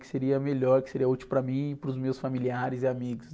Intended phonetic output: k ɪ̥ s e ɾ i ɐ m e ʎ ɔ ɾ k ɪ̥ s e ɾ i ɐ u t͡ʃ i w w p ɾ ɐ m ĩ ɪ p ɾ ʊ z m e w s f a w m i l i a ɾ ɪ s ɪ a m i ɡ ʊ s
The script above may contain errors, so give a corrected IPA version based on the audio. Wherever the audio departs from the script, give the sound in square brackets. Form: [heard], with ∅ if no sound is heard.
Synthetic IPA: k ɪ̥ s e ɾ i ɐ m e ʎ ɔ ɾ k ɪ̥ s e ɾ i ɐ u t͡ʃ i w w p ɾ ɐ m ĩ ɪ p ɾ ʊ z m e w s f a [∅] m i l i a ɾ ɪ [z] ɪ a m i ɡ ʊ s